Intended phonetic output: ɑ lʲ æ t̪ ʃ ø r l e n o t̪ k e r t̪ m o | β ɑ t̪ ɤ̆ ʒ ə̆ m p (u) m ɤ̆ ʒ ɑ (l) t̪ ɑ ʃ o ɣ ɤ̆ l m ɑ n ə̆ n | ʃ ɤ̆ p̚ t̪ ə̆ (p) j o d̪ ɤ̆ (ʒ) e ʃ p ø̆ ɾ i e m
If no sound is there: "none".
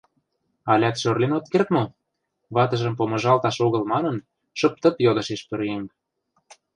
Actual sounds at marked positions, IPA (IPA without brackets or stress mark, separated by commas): o, l, p, ʃ